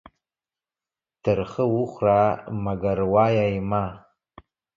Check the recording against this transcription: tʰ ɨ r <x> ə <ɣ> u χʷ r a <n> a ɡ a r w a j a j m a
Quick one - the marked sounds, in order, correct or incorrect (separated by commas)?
incorrect, incorrect, incorrect